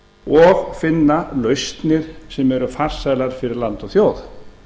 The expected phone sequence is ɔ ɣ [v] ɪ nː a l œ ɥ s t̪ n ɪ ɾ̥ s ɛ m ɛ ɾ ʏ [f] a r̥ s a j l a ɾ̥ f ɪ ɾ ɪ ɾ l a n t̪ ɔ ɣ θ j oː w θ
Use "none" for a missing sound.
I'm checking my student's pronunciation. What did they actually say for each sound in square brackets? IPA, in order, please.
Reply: f, f

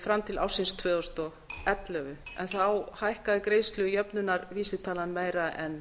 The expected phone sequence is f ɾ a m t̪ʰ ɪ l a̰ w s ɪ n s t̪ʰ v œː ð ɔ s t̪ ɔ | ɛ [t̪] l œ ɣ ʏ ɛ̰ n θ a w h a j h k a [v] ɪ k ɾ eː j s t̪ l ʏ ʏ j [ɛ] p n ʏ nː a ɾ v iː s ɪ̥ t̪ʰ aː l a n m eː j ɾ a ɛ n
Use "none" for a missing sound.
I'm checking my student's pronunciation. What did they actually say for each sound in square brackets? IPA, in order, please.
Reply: t̪, ð, œ

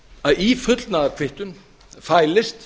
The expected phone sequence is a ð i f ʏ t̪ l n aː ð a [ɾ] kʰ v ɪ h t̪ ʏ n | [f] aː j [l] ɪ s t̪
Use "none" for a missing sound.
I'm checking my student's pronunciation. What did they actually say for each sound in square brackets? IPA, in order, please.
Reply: ɾ, f, l

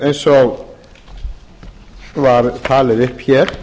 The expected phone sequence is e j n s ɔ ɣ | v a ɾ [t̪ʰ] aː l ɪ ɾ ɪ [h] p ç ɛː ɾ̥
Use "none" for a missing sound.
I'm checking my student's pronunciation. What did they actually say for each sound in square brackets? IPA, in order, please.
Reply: t̪ʰ, h

